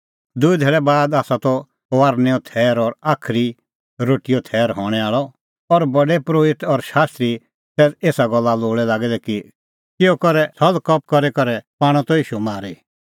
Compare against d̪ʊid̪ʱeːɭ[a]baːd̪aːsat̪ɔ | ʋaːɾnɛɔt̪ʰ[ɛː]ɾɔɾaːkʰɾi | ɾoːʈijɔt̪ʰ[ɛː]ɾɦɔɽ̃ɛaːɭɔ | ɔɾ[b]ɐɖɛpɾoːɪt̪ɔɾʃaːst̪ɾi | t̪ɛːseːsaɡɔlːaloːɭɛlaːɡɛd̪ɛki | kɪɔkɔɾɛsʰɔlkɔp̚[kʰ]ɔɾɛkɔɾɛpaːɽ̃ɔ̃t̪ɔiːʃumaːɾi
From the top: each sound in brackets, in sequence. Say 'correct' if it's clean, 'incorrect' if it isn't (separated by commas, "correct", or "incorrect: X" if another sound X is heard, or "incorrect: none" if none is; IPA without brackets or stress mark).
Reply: incorrect: ɛ, correct, correct, correct, incorrect: k